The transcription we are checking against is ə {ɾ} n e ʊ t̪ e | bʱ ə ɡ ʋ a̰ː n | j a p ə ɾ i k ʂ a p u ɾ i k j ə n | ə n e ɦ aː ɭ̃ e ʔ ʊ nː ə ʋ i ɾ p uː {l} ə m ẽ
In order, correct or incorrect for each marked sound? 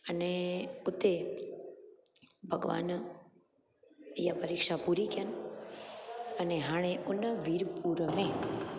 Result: incorrect, incorrect

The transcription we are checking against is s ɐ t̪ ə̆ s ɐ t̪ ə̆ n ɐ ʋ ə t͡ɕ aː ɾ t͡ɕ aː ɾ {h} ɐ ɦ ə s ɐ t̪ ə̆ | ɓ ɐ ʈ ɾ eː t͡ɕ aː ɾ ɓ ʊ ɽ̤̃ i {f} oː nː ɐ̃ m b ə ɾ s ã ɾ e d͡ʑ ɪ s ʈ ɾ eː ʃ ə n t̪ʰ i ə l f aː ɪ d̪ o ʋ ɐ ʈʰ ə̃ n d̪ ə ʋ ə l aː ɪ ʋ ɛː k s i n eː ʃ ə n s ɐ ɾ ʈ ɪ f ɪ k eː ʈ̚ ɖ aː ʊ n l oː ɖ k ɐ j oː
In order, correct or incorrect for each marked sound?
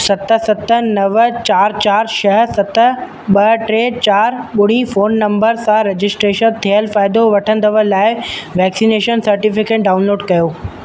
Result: incorrect, correct

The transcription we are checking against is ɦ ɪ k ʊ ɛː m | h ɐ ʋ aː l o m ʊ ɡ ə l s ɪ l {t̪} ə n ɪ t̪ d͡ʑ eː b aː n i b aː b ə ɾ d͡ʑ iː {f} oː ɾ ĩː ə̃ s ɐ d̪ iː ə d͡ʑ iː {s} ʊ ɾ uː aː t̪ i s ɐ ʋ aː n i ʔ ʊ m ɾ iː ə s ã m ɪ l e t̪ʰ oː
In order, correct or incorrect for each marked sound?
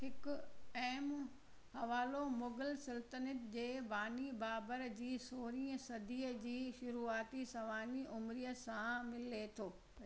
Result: correct, incorrect, incorrect

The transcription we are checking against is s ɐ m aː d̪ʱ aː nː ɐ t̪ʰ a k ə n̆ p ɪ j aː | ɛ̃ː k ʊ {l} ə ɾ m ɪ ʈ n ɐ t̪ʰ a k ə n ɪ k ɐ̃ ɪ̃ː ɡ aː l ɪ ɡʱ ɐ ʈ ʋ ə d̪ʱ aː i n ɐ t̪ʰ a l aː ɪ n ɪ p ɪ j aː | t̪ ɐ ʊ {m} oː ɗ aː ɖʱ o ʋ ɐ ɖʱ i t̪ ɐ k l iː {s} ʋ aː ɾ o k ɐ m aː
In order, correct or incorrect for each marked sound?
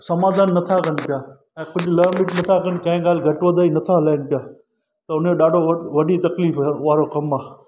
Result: correct, incorrect, incorrect

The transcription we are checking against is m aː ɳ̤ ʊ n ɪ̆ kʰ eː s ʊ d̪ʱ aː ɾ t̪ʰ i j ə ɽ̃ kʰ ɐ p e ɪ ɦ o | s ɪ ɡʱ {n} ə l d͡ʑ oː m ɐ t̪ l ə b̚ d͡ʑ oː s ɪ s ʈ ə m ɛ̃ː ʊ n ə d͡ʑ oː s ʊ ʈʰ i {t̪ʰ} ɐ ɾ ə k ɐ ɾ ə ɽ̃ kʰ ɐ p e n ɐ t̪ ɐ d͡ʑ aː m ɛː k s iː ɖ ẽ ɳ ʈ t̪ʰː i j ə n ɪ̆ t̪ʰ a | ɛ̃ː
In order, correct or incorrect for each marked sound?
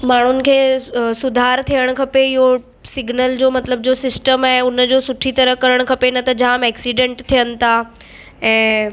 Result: correct, incorrect

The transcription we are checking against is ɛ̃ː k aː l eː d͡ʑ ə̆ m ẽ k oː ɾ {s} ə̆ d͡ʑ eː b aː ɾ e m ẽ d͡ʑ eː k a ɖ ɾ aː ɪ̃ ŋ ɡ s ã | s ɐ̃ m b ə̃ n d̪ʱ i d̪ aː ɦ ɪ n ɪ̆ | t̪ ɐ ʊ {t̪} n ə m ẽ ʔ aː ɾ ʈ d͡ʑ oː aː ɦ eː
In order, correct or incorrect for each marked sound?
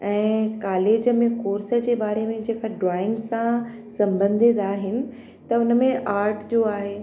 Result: correct, incorrect

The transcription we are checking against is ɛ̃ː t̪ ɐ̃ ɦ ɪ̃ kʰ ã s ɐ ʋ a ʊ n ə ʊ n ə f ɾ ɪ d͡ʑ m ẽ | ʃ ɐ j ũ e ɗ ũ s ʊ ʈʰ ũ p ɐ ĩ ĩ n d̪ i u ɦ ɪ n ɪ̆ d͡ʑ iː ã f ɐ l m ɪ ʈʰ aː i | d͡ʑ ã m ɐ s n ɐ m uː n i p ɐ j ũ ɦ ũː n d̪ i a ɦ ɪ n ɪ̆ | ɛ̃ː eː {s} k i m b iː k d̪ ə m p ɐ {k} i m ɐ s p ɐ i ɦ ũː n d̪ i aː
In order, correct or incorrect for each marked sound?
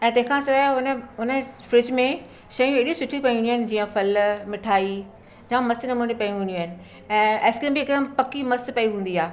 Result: correct, correct

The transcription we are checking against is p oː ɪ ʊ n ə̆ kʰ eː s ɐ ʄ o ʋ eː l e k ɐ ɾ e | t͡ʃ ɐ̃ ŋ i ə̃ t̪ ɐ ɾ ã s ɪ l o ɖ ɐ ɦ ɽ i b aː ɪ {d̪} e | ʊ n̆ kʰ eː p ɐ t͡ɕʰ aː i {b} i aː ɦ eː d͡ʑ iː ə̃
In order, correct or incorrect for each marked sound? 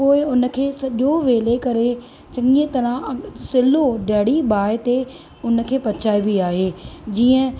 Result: incorrect, correct

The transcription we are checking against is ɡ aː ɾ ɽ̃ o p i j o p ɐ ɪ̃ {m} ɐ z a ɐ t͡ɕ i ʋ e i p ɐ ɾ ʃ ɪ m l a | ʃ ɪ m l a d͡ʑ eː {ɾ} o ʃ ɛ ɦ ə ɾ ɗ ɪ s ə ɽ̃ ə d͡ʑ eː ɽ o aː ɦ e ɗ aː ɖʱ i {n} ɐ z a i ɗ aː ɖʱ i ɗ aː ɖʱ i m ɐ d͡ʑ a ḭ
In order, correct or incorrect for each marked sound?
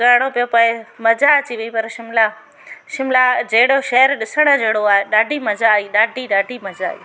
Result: correct, incorrect, incorrect

